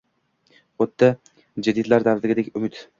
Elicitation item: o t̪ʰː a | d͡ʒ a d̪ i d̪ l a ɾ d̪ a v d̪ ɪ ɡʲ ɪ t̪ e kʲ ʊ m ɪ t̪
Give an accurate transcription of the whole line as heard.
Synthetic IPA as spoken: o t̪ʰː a | d͡ʒ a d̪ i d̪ l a ɾ d̪ a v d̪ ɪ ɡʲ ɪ d̪ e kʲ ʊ m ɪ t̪